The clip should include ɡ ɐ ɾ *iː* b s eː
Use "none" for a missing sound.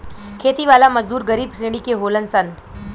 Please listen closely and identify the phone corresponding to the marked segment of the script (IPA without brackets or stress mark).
iː